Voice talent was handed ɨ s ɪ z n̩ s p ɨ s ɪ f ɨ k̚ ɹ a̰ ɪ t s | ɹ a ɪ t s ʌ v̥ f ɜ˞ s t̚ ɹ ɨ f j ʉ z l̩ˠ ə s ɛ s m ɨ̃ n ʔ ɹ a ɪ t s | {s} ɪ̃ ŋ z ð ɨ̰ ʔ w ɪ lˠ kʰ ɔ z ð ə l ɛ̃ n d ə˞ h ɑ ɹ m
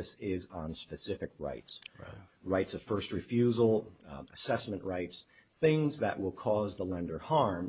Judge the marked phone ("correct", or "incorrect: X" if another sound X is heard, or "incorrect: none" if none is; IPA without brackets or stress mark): incorrect: θ